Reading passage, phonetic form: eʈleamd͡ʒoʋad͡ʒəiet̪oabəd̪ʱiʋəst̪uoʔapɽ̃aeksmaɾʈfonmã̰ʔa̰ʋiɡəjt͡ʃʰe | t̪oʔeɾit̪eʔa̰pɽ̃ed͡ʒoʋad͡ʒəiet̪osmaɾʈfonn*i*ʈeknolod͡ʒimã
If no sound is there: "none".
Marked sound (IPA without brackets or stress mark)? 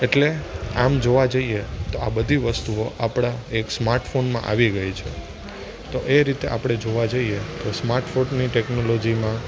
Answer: i